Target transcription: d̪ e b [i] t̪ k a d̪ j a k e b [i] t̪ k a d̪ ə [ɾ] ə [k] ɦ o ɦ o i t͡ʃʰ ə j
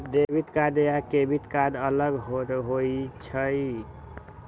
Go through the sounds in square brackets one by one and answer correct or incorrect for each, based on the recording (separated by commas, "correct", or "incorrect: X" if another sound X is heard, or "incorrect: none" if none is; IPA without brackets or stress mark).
correct, correct, incorrect: l, incorrect: ɡ